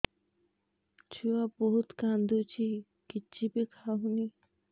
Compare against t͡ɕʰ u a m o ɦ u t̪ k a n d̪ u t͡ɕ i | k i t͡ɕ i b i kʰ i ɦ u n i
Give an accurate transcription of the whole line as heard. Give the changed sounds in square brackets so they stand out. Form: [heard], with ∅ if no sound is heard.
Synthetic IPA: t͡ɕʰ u a [b] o ɦ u t̪ k a n d̪ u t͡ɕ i | k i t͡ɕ i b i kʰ [a] ɦ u n i